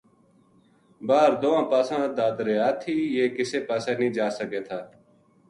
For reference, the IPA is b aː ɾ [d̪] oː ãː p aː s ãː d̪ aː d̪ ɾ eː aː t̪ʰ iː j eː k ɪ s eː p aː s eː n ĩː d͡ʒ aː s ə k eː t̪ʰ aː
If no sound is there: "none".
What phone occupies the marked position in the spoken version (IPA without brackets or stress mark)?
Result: d̪